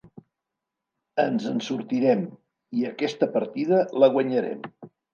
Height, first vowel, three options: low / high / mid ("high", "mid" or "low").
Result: mid